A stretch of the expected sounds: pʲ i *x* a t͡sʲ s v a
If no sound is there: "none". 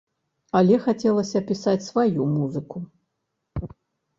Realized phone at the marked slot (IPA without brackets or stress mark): s